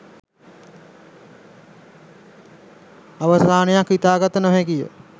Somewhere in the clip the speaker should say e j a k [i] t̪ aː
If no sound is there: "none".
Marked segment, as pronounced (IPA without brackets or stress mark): i